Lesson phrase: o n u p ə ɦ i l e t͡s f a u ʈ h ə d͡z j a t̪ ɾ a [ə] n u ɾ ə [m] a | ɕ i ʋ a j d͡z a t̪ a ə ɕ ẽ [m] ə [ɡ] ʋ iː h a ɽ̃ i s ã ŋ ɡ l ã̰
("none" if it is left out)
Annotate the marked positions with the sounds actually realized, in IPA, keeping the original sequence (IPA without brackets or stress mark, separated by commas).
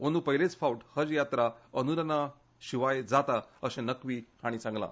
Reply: ə, n, n, k